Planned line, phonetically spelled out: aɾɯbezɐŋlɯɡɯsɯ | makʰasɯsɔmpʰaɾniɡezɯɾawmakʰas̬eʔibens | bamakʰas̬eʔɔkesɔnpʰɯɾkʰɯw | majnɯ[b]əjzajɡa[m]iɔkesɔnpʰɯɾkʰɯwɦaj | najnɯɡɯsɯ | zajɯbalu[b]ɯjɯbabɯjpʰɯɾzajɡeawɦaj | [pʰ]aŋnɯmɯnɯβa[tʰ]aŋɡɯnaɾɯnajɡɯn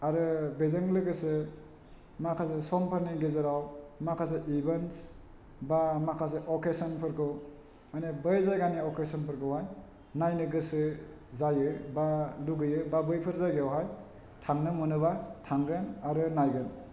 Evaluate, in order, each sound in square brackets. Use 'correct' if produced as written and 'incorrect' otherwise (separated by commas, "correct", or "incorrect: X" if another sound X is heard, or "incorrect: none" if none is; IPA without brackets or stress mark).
correct, incorrect: n, incorrect: ɡ, incorrect: tʰ, correct